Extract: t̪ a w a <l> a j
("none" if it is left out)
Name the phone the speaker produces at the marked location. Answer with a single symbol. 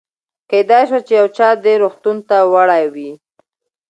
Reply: ɽ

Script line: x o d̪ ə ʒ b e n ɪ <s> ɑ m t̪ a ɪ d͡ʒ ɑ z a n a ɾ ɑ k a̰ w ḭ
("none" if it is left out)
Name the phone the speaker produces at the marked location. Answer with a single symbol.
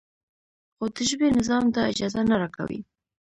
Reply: z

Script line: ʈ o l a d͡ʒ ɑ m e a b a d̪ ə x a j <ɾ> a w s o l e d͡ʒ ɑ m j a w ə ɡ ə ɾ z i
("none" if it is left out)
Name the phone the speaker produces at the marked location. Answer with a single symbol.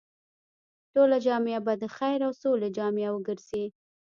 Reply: ɾ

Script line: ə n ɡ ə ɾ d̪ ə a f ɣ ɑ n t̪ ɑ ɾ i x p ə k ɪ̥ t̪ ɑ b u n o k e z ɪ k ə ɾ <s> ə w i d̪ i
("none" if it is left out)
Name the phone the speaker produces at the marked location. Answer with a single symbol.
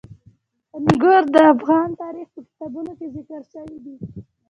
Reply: ʃ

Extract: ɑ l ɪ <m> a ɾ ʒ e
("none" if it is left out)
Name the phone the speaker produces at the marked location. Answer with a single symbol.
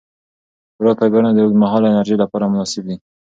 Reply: n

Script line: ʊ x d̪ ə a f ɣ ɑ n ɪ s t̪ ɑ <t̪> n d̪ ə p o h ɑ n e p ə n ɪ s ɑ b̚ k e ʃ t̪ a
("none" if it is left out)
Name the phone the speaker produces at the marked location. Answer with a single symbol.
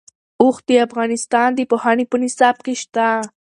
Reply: none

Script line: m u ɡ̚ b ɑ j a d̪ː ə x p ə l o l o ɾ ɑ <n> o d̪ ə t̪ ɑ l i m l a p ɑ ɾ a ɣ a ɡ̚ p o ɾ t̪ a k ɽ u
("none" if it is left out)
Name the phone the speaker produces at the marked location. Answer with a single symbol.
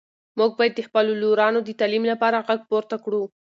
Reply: n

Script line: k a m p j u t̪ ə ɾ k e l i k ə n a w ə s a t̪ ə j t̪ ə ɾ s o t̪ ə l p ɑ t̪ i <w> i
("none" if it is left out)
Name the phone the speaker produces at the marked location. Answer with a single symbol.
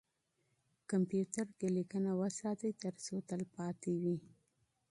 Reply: w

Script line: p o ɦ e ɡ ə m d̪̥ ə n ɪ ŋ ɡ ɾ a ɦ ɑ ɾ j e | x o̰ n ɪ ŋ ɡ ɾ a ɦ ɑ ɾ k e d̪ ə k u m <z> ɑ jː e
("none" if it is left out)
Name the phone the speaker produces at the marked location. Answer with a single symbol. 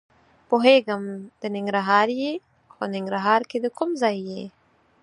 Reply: z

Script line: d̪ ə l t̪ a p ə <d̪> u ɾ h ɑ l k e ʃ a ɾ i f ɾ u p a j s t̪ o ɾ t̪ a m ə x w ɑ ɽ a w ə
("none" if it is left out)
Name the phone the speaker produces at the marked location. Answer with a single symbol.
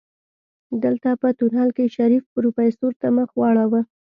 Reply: t̪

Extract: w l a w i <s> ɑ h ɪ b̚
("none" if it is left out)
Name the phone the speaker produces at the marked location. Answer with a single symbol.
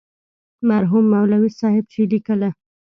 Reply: s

